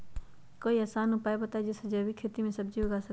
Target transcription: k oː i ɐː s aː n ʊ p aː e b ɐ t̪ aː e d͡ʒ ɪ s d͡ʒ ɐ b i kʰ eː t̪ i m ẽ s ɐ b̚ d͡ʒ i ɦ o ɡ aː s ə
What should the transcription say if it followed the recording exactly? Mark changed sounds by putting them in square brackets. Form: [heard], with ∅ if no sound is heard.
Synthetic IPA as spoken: k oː i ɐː s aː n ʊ p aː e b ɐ t̪ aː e d͡ʒ ɪ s d͡ʒ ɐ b i kʰ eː t̪ i m ẽ s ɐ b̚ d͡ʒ i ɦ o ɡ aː s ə